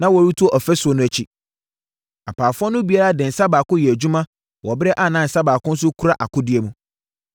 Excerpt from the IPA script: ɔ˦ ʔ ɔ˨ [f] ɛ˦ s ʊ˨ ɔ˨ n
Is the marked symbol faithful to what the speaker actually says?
yes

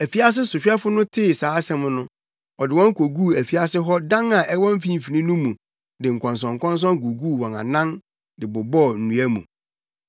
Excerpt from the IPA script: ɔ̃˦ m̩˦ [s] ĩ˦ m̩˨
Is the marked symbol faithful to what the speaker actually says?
no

